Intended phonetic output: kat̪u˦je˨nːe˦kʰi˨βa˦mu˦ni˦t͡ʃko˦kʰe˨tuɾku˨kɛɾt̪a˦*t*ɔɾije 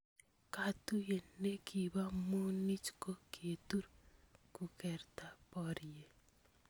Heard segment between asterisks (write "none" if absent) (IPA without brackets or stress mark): p